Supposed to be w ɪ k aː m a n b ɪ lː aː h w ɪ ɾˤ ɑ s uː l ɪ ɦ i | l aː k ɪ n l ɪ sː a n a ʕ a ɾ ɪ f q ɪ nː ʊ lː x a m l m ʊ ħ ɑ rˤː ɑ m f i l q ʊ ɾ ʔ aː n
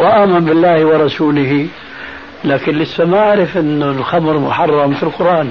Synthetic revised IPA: w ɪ ʔ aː m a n b ɪ lː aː h w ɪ ɾˤ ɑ s uː l ɪ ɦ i | l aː k ɪ n l ɪ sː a m a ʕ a ɾ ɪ f ʔ ɪ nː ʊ l x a m ɾ m ʊ ħ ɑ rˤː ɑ m f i l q ʊ ɾ ʔ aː n